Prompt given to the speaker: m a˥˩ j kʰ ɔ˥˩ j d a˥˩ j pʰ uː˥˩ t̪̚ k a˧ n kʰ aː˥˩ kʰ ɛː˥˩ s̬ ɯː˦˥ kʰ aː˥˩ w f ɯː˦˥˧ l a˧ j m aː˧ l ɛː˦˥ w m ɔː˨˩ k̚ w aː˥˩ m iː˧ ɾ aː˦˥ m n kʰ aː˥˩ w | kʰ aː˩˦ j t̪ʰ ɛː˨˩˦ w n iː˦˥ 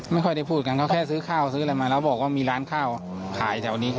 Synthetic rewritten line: m a˥˩ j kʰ ɔ˥˩ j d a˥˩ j pʰ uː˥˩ t̪̚ k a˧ n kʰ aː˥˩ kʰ ɛː˥˩ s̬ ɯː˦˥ kʰ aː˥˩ w s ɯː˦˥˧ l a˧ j m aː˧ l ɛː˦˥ w b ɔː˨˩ k̚ w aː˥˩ m iː˧ ɾ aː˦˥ n kʰ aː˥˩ w | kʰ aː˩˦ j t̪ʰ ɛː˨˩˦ w n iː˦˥